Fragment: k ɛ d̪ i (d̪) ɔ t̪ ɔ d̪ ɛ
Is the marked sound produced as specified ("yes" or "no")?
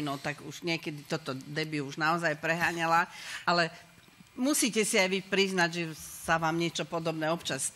no